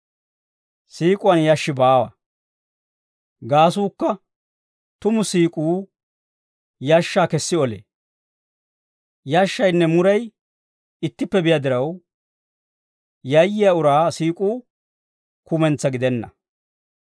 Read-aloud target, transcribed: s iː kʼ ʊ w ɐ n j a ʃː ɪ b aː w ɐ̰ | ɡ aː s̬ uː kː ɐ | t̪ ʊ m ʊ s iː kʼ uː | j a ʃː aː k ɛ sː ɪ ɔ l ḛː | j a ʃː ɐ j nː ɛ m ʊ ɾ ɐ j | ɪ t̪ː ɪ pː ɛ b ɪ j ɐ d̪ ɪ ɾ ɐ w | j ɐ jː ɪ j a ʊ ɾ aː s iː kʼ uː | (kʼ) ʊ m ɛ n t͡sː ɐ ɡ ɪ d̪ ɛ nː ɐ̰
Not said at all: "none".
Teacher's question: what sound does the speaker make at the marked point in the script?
k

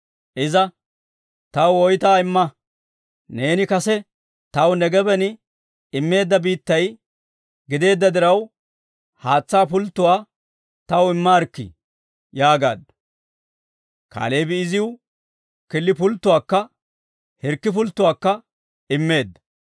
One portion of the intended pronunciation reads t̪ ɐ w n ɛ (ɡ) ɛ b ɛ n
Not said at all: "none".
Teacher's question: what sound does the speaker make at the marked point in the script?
ɡ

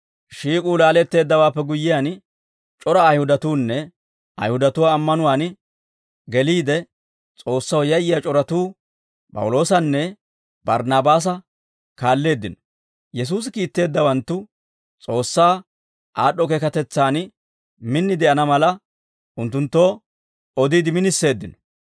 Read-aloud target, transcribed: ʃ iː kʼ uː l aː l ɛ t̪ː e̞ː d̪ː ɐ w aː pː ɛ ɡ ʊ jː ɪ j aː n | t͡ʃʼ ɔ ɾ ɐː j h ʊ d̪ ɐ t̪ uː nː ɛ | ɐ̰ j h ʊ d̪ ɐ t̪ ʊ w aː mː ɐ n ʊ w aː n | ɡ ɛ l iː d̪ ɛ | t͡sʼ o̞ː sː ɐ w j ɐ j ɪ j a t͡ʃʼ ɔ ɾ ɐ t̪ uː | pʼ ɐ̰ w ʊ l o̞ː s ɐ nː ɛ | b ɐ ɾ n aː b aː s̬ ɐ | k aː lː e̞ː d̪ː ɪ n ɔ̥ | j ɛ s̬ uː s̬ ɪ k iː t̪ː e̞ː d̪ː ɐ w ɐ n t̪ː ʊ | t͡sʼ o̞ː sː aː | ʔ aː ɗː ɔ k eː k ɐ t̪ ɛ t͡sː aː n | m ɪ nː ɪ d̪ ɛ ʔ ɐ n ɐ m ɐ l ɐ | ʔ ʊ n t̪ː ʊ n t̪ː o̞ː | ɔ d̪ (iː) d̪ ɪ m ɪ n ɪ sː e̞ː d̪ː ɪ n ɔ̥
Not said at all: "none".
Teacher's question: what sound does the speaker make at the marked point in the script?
iː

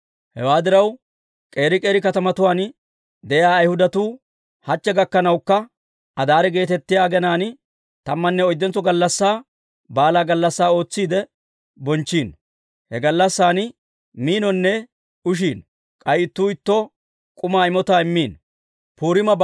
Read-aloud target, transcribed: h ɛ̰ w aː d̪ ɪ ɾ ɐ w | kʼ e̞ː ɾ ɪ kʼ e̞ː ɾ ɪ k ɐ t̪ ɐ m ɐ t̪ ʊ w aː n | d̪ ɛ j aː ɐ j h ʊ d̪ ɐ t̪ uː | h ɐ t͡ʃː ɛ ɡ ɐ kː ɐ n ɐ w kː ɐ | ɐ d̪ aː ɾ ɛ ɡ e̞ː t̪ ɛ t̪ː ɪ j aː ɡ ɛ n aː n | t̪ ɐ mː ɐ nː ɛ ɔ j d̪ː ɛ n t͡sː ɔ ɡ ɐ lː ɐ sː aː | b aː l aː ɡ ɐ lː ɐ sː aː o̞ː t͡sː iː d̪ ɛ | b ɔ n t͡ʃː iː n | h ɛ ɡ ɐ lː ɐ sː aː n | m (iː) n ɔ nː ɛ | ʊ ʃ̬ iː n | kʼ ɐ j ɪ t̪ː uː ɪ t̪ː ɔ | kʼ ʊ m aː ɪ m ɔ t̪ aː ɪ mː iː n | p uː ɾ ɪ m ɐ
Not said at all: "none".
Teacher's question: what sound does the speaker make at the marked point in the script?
iː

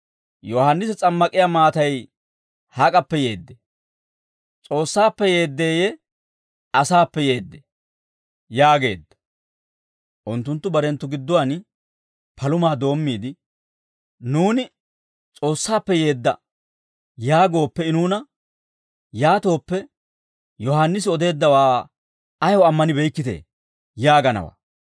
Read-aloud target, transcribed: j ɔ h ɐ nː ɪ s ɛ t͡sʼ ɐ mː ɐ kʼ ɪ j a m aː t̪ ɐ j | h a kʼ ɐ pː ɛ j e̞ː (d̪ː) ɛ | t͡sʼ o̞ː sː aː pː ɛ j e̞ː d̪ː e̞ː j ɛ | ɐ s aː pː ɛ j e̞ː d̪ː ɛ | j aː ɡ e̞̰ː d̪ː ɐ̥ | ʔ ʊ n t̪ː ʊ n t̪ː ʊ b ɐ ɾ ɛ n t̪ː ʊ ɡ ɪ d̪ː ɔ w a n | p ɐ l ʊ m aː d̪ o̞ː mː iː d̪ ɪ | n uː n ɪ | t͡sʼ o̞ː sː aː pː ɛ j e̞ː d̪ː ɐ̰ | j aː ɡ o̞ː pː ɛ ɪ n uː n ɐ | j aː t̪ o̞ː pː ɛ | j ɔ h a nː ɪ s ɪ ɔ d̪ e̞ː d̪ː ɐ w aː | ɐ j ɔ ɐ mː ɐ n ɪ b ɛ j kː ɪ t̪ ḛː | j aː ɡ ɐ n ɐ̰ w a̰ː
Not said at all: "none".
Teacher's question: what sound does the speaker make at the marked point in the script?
d̪ː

